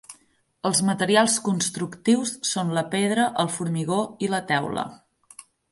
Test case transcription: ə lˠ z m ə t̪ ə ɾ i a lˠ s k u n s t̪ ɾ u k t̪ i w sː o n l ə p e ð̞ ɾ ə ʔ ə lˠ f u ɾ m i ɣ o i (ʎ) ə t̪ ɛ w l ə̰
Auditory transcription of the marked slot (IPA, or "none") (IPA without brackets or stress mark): l